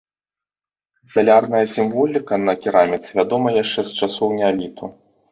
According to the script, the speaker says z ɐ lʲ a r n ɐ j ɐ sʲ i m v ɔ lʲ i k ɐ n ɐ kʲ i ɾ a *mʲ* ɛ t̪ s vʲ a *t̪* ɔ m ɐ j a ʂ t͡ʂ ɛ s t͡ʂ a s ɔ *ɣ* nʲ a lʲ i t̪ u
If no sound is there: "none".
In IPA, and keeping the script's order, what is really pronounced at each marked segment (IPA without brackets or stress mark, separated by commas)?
mʲ, d̪, w